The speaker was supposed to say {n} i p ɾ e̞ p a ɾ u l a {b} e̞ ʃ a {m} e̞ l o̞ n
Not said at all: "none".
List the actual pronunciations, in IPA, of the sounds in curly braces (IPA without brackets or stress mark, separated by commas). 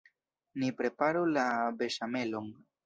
n, b, m